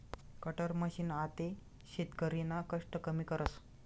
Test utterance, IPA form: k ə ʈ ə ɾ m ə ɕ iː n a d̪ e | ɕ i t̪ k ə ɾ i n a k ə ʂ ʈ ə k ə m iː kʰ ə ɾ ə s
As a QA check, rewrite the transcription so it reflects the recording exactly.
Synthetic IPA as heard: k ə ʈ ə ɾ m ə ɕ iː n a t̪ e | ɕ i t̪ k ə ɾ i n a k ə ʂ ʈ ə k ə m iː k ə ɾ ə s

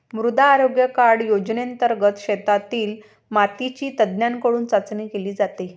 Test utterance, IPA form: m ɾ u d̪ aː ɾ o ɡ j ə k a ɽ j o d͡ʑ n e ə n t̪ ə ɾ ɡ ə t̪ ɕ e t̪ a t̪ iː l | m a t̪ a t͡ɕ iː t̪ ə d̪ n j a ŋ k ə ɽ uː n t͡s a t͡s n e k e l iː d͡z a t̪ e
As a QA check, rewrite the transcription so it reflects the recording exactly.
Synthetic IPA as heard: m ɾ u d̪ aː ɾ o ɡ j ə k a ɽ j o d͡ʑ n e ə n t̪ ə ɾ ɡ ə t̪ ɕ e t̪ a t̪ iː l | m a t̪ i t͡ɕ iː t̪ ə d̪ n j a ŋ k ə ɽ uː n t͡s a t͡s n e k e l iː d͡z a t̪ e

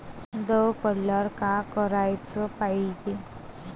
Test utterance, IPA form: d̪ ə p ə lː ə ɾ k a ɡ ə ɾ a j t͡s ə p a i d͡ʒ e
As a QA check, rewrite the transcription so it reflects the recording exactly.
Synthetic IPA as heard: d̪ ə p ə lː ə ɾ k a k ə ɾ a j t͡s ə p a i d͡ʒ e

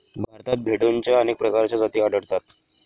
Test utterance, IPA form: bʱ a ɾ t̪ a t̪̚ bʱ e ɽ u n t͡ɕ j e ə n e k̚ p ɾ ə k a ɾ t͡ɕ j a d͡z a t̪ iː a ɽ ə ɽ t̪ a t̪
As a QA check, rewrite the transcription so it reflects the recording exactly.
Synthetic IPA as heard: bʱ a ɾ t̪ a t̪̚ bʱ e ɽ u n t͡ɕ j a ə n e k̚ p ɾ ə k a ɾ t͡ɕ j a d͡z a t̪ iː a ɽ ə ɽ t̪ a t̪

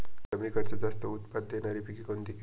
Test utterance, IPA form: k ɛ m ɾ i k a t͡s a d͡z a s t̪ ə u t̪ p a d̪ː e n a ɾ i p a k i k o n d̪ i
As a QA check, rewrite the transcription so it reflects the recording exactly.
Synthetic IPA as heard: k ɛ m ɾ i k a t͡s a d͡z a s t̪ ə u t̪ p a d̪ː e n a ɾ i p i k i k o n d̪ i

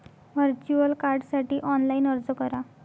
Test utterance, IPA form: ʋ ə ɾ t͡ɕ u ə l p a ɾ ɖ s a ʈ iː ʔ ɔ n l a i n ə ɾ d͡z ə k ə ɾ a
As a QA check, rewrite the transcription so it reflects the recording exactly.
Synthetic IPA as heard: ʋ ə ɾ t͡ɕ u ə l k a ɾ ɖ s a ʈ iː ʔ ɔ n l a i n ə ɾ d͡z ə k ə ɾ a

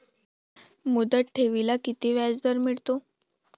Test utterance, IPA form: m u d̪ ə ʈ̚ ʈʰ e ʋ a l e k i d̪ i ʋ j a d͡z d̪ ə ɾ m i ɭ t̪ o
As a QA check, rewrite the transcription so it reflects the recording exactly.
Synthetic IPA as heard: m u d̪ ə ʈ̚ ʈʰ e ʋ i l a k i t̪ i ʋ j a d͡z d̪ ə ɾ m i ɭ t̪ o

